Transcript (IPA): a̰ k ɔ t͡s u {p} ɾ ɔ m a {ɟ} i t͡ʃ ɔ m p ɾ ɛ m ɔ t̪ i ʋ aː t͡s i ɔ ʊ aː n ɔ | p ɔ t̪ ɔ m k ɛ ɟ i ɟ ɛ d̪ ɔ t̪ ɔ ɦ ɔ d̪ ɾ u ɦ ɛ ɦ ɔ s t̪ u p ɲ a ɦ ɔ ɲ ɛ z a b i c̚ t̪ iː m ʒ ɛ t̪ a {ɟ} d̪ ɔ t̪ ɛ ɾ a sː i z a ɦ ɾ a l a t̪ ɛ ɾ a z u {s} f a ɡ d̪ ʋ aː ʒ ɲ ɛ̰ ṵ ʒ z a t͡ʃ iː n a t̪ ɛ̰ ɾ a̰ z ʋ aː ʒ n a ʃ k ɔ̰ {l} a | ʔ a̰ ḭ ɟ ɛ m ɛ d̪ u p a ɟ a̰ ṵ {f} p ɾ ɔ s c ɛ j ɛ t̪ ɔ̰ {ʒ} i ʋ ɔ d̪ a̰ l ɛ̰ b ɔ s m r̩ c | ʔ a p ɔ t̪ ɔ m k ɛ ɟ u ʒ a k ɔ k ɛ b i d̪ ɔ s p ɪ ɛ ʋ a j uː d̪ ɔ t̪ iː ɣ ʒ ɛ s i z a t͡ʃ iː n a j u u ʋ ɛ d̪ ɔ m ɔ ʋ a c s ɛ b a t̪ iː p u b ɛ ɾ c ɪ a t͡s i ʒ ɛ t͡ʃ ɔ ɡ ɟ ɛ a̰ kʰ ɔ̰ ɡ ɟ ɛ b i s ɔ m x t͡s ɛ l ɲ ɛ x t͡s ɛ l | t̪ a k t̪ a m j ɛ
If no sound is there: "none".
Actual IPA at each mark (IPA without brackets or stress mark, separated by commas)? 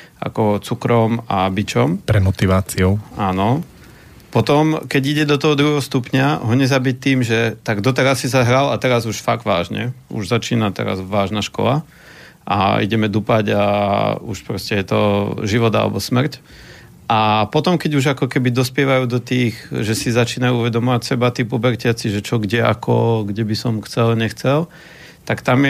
k, b, ɡ, ʃ, l, ʃ, ʒ